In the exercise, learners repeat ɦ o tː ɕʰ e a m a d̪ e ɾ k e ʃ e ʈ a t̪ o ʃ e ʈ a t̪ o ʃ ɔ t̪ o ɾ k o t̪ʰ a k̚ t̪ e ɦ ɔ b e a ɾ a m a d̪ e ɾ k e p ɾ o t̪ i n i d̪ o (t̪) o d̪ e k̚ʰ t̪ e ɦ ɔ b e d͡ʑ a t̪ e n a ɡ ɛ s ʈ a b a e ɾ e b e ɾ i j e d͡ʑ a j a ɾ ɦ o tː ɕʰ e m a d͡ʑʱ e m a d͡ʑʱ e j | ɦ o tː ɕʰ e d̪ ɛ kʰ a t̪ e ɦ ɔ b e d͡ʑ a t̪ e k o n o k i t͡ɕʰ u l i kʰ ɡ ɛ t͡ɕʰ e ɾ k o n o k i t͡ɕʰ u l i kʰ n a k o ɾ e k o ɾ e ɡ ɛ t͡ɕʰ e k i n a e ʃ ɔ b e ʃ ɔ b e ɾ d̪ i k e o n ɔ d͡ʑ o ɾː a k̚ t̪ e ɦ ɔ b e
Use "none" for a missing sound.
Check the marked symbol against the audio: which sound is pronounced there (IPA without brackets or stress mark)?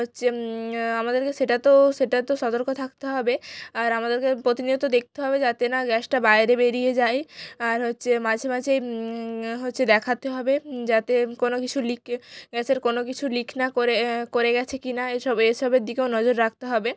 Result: t̪